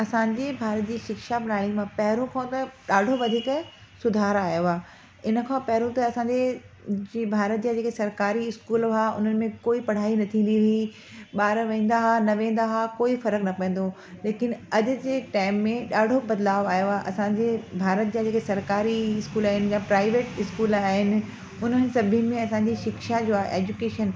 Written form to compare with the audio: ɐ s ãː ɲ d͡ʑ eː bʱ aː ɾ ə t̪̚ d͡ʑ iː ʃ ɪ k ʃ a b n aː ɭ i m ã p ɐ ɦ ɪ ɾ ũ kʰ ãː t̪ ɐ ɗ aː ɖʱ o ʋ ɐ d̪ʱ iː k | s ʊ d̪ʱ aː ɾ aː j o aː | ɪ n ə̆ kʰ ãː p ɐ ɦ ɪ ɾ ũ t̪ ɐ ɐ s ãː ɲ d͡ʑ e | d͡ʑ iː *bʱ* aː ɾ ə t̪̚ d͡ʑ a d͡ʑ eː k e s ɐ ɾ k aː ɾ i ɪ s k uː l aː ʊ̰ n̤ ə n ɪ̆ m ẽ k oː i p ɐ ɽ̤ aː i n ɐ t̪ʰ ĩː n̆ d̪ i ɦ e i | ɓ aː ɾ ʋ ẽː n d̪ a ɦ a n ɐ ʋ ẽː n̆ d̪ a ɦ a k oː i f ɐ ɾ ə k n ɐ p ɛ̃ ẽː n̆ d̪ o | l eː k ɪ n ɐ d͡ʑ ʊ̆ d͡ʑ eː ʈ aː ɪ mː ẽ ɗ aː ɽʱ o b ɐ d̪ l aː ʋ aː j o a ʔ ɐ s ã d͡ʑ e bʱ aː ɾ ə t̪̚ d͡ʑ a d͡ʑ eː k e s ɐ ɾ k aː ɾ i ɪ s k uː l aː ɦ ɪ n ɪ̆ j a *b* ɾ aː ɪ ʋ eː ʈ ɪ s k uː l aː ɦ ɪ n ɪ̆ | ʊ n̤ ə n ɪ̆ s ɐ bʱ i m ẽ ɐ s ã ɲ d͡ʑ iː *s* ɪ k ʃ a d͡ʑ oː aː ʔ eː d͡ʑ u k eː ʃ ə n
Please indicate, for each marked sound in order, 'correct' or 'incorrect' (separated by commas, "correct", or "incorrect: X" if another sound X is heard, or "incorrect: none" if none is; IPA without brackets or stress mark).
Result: correct, incorrect: p, incorrect: ʃ